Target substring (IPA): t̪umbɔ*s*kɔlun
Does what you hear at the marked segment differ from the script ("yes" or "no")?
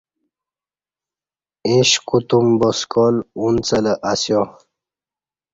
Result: no